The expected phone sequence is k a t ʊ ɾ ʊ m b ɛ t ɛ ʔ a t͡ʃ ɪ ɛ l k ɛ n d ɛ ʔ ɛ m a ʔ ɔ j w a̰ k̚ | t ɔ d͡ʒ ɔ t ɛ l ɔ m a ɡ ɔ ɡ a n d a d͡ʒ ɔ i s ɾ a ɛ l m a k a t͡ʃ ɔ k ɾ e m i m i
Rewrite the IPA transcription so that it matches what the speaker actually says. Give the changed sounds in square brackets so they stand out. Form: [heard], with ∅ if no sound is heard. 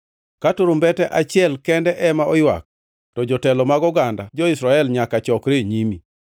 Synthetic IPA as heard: k a t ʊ ɾ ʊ m b ɛ t ɛ ʔ a t͡ʃ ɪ ɛ l k ɛ n d ɛ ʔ ɛ m a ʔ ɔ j w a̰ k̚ | t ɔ d͡ʒ ɔ t ɛ l ɔ m a ɡ ɔ ɡ a n d a d͡ʒ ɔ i s ɾ a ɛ l [ɲ] a k a t͡ʃ ɔ k ɾ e [ɲ] i m i